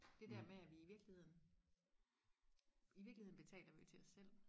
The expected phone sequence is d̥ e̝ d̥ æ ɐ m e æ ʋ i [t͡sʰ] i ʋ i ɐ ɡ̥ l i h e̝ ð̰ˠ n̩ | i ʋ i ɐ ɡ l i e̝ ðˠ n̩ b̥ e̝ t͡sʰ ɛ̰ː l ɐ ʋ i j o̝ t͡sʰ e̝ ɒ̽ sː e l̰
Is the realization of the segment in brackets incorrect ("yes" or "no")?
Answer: yes